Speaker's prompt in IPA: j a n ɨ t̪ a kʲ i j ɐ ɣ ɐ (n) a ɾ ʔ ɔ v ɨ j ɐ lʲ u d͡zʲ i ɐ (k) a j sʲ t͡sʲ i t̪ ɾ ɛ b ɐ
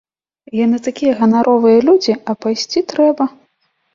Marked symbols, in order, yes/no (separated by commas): yes, no